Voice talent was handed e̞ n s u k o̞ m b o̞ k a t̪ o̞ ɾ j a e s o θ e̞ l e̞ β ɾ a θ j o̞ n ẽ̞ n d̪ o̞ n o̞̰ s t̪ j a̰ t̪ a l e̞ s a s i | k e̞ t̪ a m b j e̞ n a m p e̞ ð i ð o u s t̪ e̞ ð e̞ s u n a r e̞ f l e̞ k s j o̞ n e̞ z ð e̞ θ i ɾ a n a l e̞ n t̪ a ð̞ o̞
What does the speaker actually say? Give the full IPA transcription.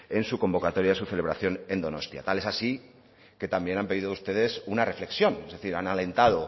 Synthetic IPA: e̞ n s u k o̞ m b o̞ k a t̪ o̞ ɾ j a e s u θ e̞ l e̞ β ɾ a θ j o̞ n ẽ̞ n d̪ o̞ n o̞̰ s t̪ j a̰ t̪ a l e̞ s a s i | k e̞ t̪ a m b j e̞ n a m p e̞ ð i ð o u s t̪ e̞ ð e̞ s u n a r e̞ f l e̞ k s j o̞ n e̞ z ð e̞ θ i ɾ a n a l e̞ n t̪ a ð̞ o̞